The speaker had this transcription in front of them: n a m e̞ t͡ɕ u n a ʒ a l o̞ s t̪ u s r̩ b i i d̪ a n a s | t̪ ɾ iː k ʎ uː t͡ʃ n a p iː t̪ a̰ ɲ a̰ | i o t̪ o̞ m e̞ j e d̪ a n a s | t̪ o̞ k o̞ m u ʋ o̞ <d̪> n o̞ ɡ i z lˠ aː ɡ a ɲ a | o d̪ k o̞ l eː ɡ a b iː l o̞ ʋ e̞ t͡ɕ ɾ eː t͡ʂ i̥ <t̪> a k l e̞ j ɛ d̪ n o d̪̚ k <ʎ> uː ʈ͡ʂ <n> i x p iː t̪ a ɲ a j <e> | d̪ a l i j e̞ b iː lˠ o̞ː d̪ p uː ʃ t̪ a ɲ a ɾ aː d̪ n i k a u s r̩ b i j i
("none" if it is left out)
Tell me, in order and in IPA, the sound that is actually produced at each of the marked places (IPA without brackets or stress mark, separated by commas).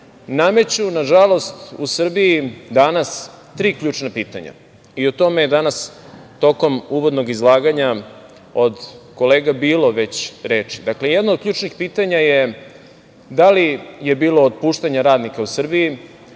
d̪, d̪, ʎ, n, e